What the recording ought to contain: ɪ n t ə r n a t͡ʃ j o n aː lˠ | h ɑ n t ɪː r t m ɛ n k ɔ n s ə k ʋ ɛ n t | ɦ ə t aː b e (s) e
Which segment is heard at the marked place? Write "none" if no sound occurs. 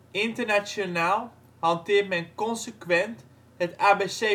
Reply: s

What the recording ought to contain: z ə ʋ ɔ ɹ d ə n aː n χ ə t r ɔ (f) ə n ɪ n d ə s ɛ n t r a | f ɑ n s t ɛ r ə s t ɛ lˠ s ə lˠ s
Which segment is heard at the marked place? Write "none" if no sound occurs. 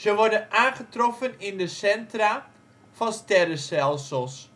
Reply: f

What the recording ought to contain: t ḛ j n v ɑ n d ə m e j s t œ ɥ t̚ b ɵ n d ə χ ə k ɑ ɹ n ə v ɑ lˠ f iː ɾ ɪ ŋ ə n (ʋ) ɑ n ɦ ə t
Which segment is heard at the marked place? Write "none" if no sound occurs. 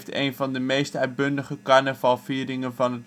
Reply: v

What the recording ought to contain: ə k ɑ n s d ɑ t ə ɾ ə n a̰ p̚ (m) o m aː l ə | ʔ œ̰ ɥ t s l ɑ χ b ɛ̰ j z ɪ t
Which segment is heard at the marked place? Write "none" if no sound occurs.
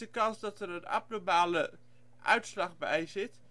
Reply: n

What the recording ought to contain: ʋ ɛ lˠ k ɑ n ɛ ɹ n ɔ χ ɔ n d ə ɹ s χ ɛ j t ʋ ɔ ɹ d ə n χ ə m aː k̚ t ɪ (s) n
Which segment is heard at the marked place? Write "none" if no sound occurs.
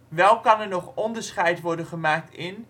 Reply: none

